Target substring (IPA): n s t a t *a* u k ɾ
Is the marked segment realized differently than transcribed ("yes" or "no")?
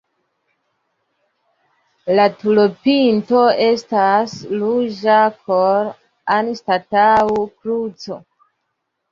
no